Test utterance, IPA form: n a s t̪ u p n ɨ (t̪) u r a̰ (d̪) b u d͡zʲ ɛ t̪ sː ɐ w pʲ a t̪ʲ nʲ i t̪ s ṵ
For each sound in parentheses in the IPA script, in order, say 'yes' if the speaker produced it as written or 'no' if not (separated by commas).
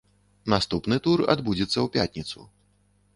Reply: yes, yes